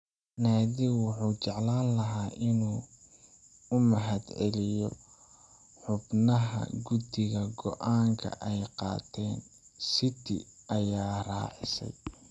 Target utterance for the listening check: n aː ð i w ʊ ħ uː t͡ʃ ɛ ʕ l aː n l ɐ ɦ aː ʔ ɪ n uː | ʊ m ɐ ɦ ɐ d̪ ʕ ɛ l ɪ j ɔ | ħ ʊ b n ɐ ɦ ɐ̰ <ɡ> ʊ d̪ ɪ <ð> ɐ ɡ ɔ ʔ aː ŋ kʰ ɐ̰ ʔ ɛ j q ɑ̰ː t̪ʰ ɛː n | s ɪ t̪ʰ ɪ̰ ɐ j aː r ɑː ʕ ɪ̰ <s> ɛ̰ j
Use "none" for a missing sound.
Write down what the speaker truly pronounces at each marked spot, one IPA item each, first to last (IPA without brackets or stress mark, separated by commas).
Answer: ɡ, ɣ, s